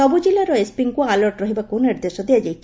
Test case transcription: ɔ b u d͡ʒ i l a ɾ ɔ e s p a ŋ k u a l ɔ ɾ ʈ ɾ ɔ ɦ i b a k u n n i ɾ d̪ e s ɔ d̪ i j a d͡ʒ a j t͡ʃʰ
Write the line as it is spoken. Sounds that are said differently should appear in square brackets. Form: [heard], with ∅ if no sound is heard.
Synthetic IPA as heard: ɔ b u d͡ʒ i l a ɾ ɔ e s p [i] ŋ k u a l ɔ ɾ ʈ ɾ ɔ ɦ i b a k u n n i ɾ d̪ e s ɔ d̪ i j a d͡ʒ a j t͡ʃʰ